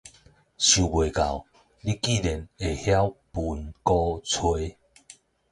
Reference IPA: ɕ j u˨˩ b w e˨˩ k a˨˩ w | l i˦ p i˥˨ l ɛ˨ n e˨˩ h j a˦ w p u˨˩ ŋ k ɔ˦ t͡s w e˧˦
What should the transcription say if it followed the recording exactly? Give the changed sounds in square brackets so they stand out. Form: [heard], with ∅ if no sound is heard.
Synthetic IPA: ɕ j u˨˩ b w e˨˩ k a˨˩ w | l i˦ [k] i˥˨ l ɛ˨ n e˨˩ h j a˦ w p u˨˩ [n] k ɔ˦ [t͡sʰ] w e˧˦